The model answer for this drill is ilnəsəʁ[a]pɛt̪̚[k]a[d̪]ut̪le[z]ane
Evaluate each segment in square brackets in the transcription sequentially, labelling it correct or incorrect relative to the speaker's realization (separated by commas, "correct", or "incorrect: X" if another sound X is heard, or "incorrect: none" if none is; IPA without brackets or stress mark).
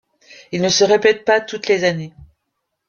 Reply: incorrect: e, incorrect: p, incorrect: t̪, correct